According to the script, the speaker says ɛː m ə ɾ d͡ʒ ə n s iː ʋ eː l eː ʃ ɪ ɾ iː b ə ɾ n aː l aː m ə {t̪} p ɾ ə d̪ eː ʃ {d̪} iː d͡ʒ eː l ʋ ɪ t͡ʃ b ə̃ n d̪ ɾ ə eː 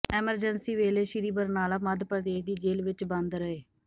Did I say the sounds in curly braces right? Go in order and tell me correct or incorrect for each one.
incorrect, correct

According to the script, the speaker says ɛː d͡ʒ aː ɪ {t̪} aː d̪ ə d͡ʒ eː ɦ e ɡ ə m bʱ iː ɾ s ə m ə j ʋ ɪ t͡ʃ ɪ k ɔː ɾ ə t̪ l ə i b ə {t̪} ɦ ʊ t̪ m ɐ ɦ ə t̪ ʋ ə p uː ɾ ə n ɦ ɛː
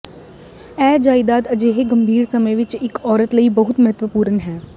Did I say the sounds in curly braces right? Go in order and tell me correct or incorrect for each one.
incorrect, incorrect

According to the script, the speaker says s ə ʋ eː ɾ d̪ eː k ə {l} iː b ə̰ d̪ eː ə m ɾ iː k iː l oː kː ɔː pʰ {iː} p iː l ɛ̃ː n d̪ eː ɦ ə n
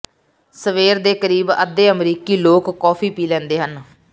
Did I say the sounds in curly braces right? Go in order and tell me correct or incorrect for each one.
incorrect, correct

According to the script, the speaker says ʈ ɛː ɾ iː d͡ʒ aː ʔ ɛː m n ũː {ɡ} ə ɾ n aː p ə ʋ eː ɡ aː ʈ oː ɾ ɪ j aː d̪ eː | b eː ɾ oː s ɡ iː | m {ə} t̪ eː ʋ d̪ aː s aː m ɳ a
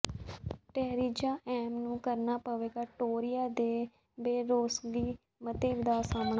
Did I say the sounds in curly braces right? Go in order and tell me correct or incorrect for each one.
incorrect, correct

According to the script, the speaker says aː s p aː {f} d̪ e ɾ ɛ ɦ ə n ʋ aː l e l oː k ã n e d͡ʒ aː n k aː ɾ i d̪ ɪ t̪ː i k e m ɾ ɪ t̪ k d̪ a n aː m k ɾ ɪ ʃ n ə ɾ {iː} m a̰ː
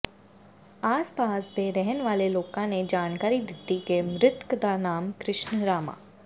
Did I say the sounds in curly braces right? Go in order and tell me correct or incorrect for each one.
incorrect, incorrect

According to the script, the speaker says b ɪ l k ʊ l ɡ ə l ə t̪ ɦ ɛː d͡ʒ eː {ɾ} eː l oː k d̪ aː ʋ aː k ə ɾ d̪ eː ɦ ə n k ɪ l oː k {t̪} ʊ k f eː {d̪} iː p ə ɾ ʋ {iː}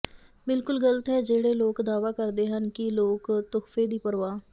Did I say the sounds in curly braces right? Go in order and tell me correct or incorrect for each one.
incorrect, correct, correct, incorrect

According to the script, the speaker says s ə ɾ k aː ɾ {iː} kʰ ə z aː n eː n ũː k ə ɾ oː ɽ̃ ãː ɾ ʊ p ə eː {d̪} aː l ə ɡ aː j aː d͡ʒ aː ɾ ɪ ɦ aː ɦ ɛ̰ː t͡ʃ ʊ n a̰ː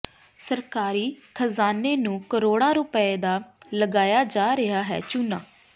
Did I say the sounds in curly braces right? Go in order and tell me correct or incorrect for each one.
correct, correct

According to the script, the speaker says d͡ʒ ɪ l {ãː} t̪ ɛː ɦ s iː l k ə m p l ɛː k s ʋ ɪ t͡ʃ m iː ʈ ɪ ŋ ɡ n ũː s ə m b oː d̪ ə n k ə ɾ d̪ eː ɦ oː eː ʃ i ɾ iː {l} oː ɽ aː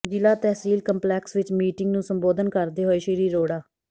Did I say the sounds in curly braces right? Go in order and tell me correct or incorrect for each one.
incorrect, incorrect

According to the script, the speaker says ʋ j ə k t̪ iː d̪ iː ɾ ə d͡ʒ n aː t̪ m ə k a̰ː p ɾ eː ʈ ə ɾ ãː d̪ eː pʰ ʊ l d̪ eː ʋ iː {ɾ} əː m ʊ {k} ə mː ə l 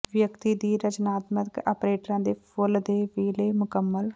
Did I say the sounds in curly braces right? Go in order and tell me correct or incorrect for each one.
incorrect, correct

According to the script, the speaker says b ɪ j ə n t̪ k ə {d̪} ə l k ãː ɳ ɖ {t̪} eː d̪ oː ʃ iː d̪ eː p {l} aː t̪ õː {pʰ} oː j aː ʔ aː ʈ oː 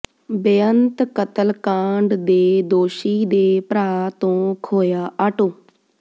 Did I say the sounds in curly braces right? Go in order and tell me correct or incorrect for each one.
incorrect, incorrect, incorrect, incorrect

